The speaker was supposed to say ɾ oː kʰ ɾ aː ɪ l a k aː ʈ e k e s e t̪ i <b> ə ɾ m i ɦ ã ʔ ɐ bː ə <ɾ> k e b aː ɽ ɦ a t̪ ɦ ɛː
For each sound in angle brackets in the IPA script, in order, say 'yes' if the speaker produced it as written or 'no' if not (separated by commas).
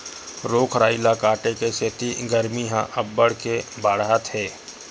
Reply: no, no